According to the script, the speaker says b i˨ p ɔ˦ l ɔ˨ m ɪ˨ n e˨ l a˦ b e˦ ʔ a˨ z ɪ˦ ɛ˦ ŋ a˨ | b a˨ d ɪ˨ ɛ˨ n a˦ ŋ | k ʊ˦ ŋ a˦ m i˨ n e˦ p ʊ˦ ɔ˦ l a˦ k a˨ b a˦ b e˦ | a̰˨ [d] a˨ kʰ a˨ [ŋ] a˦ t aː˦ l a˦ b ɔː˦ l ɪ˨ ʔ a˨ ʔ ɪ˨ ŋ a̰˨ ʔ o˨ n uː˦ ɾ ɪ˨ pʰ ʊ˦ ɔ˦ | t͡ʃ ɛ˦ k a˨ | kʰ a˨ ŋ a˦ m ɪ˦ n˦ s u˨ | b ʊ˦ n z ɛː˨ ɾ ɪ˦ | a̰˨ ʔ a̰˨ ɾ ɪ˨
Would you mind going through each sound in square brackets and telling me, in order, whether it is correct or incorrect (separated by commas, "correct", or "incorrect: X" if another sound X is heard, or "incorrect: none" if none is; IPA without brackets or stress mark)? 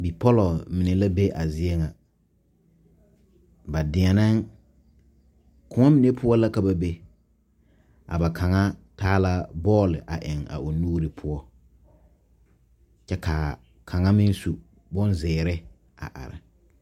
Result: incorrect: b, correct